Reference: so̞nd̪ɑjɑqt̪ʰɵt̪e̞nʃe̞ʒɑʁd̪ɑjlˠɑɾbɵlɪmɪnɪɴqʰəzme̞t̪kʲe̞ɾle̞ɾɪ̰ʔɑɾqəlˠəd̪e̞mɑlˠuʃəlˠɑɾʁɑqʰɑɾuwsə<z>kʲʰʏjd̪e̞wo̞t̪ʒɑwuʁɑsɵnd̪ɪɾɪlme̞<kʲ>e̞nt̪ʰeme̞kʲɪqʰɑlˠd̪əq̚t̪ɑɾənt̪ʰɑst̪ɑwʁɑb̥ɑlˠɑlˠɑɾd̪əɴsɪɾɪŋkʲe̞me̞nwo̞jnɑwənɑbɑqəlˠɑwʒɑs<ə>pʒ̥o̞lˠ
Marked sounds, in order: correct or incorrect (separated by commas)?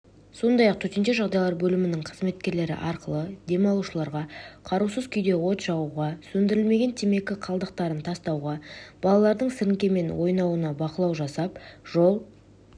correct, incorrect, incorrect